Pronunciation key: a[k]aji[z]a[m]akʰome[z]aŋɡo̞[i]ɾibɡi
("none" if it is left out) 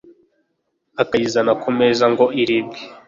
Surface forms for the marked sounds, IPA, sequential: k, z, n, z, i

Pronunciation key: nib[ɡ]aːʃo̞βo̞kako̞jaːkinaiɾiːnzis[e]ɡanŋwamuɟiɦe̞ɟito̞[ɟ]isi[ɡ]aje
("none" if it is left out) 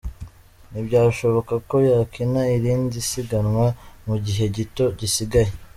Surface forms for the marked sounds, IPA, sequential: ɟ, i, ɟ, ɡ

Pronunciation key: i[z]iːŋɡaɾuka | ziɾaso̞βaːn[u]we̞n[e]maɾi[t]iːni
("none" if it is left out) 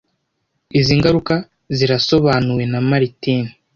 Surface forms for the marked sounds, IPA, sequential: z, u, a, t

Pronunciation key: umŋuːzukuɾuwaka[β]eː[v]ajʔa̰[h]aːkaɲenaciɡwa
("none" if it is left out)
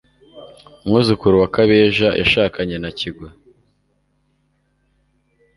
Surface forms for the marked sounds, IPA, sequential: β, ʒ, ʃ

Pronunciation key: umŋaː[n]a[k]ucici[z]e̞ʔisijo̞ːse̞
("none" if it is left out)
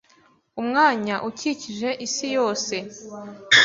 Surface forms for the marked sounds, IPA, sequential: ɲ, ʔ, ʒ

